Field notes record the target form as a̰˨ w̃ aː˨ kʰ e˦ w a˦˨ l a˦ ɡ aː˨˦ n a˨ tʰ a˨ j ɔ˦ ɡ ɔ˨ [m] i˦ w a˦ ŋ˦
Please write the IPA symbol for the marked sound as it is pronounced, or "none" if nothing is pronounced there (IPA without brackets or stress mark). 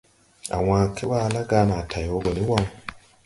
n